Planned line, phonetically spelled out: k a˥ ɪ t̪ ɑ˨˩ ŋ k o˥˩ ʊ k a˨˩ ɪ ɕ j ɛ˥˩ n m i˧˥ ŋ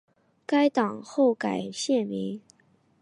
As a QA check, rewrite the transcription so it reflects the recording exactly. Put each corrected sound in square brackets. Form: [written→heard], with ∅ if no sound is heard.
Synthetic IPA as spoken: k a˥ ɪ t̪ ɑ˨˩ ŋ [k→x] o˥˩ ʊ k a˨˩ ɪ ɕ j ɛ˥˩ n m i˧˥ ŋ

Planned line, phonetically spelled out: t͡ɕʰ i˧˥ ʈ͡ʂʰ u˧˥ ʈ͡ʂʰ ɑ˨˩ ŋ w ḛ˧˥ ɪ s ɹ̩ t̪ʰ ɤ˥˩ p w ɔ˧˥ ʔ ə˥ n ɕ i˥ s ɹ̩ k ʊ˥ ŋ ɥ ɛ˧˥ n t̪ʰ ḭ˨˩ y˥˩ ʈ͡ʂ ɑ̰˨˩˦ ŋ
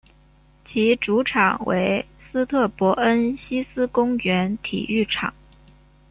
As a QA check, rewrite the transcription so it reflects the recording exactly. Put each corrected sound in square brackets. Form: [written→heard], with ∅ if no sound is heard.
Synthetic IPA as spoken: t͡ɕʰ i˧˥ [ʈ͡ʂʰ→ʈ͡ʂ] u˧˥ ʈ͡ʂʰ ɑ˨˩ ŋ w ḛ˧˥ ɪ s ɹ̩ t̪ʰ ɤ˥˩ p w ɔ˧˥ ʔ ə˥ n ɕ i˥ s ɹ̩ k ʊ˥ ŋ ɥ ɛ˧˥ n t̪ʰ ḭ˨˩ y˥˩ [ʈ͡ʂ→ʈ͡ʂʰ] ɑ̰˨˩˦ ŋ

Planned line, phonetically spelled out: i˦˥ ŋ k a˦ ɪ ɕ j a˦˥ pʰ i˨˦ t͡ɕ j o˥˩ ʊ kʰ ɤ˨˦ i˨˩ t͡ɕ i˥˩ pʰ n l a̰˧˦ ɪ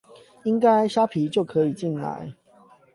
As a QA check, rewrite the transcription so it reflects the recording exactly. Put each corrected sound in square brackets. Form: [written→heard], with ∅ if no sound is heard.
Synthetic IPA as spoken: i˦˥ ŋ k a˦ ɪ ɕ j a˦˥ pʰ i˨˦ t͡ɕ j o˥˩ ʊ kʰ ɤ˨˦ i˨˩ t͡ɕ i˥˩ [pʰ→∅] n l a̰˧˦ ɪ

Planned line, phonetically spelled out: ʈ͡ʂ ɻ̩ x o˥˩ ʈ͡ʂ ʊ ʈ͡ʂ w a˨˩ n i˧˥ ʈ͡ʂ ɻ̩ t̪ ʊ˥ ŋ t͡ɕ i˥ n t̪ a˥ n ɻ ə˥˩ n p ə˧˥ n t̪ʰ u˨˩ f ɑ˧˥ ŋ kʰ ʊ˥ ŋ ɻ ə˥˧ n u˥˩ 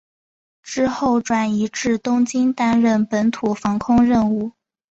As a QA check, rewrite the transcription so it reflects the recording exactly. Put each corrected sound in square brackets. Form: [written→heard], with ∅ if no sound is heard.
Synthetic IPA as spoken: ʈ͡ʂ ɻ̩ x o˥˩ [ʈ͡ʂ→∅] ʊ ʈ͡ʂ w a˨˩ n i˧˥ ʈ͡ʂ ɻ̩ t̪ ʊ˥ ŋ t͡ɕ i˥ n t̪ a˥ n ɻ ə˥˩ n p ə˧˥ n t̪ʰ u˨˩ f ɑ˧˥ ŋ kʰ ʊ˥ ŋ ɻ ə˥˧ n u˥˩

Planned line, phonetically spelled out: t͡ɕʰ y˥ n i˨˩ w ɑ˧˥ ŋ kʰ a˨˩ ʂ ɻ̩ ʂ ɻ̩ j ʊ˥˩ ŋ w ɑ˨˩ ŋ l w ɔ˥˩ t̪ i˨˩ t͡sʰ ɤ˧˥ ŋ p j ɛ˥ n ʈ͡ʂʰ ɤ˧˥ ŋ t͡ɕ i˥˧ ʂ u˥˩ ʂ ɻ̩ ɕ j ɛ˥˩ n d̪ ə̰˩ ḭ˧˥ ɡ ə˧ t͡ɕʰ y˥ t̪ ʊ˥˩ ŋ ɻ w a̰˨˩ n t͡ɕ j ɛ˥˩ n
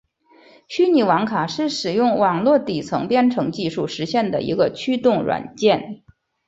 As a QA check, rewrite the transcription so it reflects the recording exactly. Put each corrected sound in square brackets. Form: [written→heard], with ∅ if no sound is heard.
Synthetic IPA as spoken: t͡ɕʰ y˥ n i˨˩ w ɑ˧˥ ŋ kʰ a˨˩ ʂ ɻ̩ ʂ ɻ̩ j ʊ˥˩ ŋ w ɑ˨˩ ŋ l w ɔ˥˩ t̪ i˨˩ t͡sʰ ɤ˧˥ ŋ p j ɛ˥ n ʈ͡ʂʰ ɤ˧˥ ŋ t͡ɕ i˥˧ ʂ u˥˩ ʂ ɻ̩ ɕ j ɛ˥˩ n d̪ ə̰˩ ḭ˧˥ ɡ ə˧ t͡ɕʰ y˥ t̪ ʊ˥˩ ŋ ɻ w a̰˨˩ n t͡ɕ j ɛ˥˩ n

